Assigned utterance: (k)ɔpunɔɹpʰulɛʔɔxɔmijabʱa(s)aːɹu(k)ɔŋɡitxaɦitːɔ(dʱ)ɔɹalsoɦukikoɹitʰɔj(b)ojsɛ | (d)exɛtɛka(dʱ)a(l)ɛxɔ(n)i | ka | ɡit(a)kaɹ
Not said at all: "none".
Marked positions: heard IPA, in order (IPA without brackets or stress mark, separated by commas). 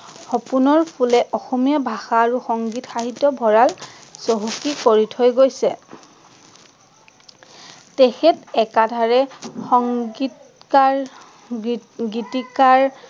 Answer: x, x, x, bʱ, ɡ, t, dʱ, ɹ, ŋ, i